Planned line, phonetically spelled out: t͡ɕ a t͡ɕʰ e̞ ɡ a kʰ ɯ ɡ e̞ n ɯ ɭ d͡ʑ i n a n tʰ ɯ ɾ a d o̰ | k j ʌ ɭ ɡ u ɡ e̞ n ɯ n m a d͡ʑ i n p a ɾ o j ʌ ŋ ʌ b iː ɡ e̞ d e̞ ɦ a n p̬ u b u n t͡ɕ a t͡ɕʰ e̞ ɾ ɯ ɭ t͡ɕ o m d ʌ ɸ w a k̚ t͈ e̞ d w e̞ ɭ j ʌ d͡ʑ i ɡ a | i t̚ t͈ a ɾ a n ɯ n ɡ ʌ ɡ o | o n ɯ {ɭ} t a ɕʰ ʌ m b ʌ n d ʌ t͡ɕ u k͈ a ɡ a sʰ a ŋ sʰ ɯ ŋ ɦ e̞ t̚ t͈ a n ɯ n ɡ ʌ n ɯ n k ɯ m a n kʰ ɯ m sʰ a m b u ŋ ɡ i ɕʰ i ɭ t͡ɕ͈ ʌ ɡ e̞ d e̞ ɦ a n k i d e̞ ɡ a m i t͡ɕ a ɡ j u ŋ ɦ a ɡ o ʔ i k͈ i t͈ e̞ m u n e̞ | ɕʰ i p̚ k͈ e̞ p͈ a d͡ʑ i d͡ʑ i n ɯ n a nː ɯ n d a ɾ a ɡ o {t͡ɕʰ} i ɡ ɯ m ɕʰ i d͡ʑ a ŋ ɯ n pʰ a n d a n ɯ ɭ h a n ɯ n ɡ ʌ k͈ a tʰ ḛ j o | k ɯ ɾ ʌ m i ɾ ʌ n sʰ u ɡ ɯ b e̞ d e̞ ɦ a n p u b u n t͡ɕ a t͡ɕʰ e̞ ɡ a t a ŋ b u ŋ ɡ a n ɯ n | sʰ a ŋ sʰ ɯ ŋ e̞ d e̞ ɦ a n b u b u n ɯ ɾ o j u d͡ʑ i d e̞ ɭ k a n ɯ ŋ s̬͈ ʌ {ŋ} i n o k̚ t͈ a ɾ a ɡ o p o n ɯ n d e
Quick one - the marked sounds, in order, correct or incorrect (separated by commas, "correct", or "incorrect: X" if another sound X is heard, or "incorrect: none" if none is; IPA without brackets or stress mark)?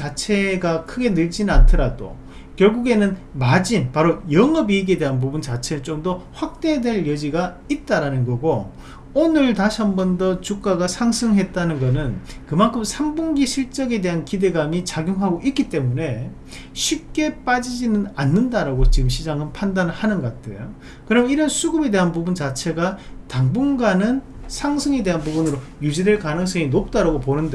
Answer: correct, incorrect: t͡ɕ, correct